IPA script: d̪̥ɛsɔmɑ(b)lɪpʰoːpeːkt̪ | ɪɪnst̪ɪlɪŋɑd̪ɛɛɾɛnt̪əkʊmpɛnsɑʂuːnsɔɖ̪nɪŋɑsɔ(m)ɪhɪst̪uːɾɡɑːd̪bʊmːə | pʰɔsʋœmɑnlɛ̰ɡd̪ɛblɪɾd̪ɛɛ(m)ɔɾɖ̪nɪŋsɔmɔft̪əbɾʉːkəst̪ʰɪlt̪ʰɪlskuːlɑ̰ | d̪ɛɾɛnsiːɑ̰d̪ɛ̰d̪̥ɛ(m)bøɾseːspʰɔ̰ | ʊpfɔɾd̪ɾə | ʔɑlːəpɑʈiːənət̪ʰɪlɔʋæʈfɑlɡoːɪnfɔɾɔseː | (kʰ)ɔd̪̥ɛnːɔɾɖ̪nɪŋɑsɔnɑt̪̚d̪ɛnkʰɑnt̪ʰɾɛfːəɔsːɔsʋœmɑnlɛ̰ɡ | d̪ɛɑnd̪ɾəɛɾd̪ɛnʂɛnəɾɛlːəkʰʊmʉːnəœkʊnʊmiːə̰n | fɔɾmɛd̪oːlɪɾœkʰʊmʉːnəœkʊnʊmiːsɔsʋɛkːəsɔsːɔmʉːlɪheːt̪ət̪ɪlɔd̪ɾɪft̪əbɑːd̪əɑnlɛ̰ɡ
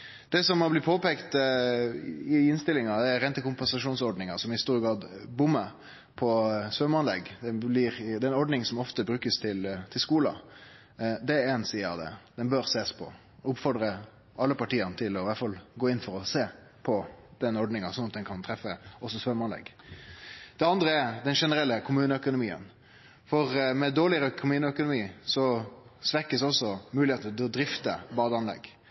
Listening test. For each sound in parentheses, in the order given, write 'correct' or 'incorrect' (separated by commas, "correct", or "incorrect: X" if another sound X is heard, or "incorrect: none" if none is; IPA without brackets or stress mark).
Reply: correct, correct, incorrect: n, incorrect: n, incorrect: pʰ